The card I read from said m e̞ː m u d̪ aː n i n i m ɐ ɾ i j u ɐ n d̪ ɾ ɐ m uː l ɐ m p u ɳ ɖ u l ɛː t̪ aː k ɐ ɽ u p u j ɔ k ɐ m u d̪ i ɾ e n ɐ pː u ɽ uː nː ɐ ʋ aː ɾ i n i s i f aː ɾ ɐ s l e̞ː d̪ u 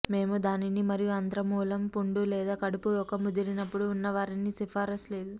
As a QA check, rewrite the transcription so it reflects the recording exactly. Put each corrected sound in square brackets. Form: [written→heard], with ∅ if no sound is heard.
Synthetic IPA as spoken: m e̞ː m u d̪ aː n i n i m ɐ ɾ i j u ɐ n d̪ ɾ ɐ m uː l ɐ m p u ɳ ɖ u l ɛː [t̪→d̪] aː k ɐ ɽ u p u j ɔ k ɐ m u d̪ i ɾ [e→i] n ɐ pː u ɽ uː nː ɐ ʋ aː ɾ i n i s i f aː ɾ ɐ s l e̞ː d̪ u

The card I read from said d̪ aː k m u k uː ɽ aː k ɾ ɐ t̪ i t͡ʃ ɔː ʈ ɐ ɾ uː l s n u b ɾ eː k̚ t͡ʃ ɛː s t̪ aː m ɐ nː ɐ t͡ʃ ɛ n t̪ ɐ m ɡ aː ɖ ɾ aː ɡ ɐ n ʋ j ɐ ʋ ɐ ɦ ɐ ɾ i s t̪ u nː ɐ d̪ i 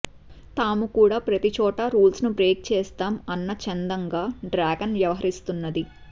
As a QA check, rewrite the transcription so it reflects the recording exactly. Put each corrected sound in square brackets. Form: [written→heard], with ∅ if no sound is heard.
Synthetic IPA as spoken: [d̪→t̪] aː [k→∅] m u k uː ɽ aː [k→p] ɾ ɐ t̪ i t͡ʃ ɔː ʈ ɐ ɾ uː l s n u b ɾ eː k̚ t͡ʃ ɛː s t̪ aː m ɐ nː ɐ t͡ʃ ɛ n [t̪→d̪] ɐ [m→ŋ] ɡ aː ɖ ɾ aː ɡ ɐ n ʋ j ɐ ʋ ɐ ɦ ɐ ɾ i s t̪ u nː ɐ d̪ i

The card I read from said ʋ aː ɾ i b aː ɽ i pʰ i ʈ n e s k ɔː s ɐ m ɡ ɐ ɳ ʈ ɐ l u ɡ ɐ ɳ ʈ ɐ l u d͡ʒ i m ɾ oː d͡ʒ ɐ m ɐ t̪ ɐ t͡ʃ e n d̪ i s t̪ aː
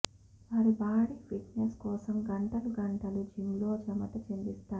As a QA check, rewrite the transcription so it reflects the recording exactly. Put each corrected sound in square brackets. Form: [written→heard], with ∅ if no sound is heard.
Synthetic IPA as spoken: ʋ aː ɾ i b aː ɽ i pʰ i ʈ n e s k ɔː s ɐ m ɡ ɐ ɳ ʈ ɐ l u ɡ ɐ ɳ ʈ ɐ l u d͡ʒ i m [ɾ→l] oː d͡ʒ ɐ m ɐ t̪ ɐ t͡ʃ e n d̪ i s t̪ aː

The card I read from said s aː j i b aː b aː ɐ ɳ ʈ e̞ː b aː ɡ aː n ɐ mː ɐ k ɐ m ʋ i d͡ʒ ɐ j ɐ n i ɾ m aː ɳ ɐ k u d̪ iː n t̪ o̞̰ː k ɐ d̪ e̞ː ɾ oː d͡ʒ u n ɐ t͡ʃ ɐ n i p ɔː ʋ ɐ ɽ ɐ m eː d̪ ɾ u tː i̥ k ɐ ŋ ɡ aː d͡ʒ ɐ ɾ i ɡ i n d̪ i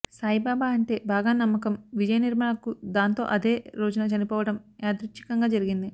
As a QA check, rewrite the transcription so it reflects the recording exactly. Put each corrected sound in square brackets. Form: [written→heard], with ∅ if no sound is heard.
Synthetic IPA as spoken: s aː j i b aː b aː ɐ ɳ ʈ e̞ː b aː ɡ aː n ɐ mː ɐ k ɐ m ʋ i d͡ʒ ɐ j ɐ n i ɾ m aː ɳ ɐ k u d̪ [iː→aː] n t̪ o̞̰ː [k→ʔ] ɐ d̪ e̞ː ɾ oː d͡ʒ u n ɐ t͡ʃ ɐ n i p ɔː ʋ ɐ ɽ ɐ m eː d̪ ɾ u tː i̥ k ɐ ŋ ɡ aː d͡ʒ ɐ ɾ i ɡ i n d̪ i

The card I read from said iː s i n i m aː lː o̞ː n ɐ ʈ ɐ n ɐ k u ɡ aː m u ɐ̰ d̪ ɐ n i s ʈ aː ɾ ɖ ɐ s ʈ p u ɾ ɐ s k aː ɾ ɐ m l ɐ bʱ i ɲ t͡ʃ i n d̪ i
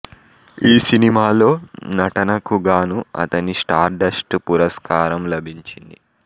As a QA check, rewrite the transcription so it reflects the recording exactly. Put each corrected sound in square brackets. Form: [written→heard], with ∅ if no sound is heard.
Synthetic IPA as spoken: iː s i n i m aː [lː→l] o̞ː n ɐ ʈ ɐ n ɐ k u ɡ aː [m→n] u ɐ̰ [d̪→t̪] ɐ n i s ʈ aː ɾ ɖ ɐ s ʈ p u ɾ ɐ s k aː ɾ ɐ m l ɐ bʱ i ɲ t͡ʃ i n d̪ i

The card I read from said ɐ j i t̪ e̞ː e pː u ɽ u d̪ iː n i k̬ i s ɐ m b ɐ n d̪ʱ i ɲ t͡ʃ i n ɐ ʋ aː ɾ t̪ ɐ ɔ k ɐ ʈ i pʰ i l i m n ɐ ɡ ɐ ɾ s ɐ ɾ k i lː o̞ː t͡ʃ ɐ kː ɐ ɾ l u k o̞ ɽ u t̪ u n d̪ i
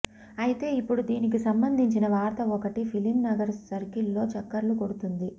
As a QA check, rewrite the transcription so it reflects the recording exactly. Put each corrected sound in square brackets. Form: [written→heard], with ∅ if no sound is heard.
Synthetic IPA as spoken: ɐ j i t̪ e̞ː [e→i] pː u ɽ u d̪ iː n i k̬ i s ɐ m b ɐ n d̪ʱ i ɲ t͡ʃ i n ɐ ʋ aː ɾ t̪ ɐ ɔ k ɐ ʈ i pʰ i l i m n ɐ ɡ ɐ ɾ s ɐ ɾ k i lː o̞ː t͡ʃ ɐ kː ɐ ɾ l u k o̞ ɽ u t̪ u n d̪ i

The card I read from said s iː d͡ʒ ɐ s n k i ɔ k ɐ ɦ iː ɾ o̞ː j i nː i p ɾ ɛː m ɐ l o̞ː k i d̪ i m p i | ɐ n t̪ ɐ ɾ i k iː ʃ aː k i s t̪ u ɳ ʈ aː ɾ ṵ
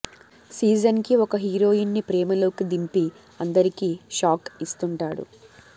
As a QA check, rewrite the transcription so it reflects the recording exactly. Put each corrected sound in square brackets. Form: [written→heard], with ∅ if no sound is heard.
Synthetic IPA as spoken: s iː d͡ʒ ɐ [s→∅] n k i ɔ k ɐ ɦ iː ɾ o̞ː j i nː i p ɾ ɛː m ɐ l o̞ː k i d̪ i m p i | ɐ n [t̪→d̪] ɐ ɾ i k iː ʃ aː k i s t̪ u ɳ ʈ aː [ɾ→ɽ] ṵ

